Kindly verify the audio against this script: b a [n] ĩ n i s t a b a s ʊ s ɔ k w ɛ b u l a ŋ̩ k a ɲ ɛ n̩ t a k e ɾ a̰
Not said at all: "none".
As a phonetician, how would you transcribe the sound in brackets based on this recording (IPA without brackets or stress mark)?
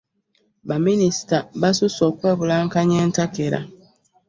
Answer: m